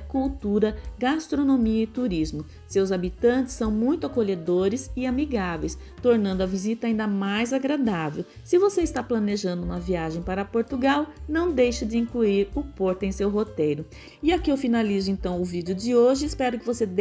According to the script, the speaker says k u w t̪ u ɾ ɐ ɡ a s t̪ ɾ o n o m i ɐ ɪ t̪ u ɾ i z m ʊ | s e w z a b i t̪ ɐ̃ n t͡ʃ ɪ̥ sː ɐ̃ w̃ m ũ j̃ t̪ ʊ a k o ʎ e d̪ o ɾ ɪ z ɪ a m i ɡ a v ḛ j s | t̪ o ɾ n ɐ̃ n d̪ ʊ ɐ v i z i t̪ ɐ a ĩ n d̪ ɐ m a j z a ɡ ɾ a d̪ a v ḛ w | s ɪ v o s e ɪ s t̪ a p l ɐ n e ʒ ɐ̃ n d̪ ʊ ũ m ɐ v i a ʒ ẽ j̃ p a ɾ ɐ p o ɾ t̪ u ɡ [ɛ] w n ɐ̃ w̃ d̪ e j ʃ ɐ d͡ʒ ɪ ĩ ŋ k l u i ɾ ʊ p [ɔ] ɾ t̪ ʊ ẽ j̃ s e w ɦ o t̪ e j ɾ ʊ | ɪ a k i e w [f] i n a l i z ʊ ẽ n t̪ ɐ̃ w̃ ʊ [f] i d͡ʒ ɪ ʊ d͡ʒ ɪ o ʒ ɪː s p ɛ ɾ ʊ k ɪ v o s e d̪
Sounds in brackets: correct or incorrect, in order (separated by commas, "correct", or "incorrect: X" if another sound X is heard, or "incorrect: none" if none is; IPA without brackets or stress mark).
incorrect: a, incorrect: o, correct, incorrect: v